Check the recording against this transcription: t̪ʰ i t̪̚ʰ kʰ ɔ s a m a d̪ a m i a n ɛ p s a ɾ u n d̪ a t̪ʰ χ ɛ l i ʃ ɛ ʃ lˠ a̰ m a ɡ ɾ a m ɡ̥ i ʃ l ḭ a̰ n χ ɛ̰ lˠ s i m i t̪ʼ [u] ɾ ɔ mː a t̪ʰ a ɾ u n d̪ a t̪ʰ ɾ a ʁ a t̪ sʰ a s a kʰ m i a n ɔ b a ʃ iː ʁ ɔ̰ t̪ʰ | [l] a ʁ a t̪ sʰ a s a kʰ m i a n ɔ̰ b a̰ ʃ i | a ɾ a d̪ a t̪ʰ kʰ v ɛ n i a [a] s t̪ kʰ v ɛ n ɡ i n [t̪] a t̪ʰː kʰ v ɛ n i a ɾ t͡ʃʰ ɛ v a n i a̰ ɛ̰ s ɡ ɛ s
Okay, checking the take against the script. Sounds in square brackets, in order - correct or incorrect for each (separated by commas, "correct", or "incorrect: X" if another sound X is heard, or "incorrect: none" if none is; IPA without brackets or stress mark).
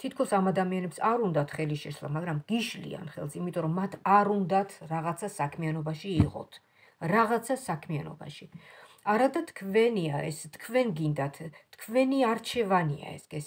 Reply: incorrect: ɔ, incorrect: ɾ, incorrect: ɛ, incorrect: d̪